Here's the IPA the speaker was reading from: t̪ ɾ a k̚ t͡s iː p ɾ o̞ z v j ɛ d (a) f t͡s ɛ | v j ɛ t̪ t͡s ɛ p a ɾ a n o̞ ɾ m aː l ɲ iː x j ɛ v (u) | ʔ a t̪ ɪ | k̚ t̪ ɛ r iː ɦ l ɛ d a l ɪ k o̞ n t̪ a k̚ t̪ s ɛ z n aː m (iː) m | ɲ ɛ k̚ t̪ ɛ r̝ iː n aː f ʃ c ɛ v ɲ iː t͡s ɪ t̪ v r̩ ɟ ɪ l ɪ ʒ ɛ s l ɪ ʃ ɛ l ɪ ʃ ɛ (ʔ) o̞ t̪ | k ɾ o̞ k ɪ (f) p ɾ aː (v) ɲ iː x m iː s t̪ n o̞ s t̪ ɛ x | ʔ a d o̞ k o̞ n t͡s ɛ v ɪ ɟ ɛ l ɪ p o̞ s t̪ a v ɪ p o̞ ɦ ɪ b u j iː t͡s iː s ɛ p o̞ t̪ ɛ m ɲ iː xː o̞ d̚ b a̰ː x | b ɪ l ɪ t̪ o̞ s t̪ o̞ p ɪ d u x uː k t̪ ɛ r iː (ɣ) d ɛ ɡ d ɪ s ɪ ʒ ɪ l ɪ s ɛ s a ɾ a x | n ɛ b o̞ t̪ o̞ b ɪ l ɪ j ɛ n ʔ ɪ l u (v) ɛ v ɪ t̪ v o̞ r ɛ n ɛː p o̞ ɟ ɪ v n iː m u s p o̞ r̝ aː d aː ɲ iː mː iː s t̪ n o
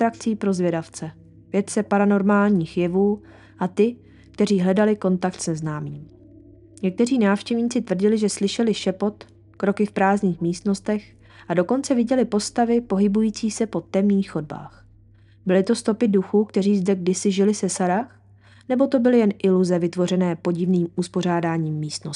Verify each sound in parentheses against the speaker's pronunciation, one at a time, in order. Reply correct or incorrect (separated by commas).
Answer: correct, incorrect, correct, incorrect, correct, incorrect, incorrect, incorrect